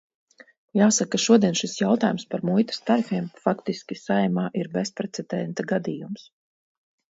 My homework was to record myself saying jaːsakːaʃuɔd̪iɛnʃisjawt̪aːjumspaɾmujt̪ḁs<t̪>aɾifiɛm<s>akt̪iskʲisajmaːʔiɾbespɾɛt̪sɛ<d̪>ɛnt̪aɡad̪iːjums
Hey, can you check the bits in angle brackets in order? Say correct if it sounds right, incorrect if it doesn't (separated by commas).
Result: correct, incorrect, correct